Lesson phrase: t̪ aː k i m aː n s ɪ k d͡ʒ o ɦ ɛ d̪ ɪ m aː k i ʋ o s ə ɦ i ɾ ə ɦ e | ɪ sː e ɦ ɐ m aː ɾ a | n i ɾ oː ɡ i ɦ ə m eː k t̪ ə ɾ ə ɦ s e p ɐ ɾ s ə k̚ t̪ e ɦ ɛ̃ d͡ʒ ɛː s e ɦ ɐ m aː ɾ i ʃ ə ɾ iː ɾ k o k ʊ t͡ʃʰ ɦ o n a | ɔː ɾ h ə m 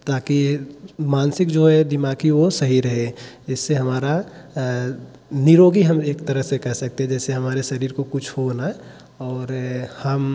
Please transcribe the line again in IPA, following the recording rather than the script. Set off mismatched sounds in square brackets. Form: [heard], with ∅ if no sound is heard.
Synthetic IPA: t̪ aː k i m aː n s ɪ k d͡ʒ o ɦ ɛ d̪ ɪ m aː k i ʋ o s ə ɦ i ɾ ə ɦ e | ɪ sː e ɦ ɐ m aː ɾ a | n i ɾ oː ɡ i ɦ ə m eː k t̪ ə ɾ ə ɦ s e [k] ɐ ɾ s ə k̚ t̪ e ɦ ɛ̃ d͡ʒ ɛː s e ɦ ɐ m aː ɾ [e] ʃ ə ɾ iː ɾ k o k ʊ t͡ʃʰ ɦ o n a | ɔː ɾ h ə m

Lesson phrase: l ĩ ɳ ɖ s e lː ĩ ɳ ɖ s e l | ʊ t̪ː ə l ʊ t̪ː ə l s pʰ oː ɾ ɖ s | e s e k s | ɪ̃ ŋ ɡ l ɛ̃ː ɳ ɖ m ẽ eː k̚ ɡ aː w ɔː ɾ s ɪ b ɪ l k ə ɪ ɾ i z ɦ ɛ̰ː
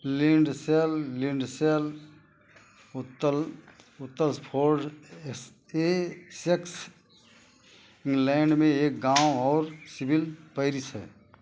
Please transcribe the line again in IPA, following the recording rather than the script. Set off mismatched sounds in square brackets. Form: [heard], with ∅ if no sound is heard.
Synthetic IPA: l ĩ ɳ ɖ s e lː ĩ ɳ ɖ s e l | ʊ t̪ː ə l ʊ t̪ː ə l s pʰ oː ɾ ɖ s | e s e k s | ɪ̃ ŋ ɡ l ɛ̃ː ɳ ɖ m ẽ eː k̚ ɡ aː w ɔː ɾ s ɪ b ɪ l [p] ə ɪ ɾ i [s] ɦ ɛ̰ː

